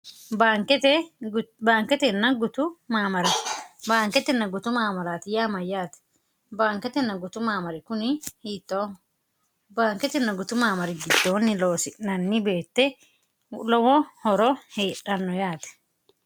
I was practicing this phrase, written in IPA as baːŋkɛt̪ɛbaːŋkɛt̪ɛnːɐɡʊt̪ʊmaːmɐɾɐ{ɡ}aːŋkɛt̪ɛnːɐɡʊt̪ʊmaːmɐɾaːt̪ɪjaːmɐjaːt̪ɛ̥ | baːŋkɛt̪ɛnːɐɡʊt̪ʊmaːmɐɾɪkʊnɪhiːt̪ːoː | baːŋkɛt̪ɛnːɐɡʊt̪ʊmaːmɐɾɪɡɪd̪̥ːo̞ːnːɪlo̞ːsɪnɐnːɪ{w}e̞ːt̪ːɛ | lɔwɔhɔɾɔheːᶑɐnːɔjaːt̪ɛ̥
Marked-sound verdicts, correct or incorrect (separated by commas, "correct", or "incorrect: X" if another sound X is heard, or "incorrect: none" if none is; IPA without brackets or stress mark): incorrect: b, incorrect: b